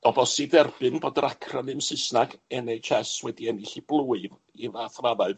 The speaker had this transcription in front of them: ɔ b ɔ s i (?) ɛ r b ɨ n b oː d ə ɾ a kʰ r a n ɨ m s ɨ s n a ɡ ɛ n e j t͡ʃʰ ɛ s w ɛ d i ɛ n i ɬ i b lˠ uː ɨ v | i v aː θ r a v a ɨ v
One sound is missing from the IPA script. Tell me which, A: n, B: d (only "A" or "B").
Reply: B